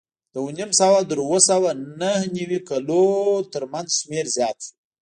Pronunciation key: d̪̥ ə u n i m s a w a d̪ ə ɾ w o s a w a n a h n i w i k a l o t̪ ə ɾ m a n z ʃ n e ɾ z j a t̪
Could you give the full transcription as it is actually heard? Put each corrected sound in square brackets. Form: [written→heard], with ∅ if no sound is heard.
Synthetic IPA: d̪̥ ə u n i m s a w a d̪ ə ɾ w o s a w a n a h n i w i k a l o t̪ ə ɾ m a n z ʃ [n→m] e ɾ z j [a→ɑ] t̪